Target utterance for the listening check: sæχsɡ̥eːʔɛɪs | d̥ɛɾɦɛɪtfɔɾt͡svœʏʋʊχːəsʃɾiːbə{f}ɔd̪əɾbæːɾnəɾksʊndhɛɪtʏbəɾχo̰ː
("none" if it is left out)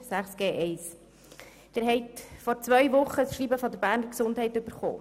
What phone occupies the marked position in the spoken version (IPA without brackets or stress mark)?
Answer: f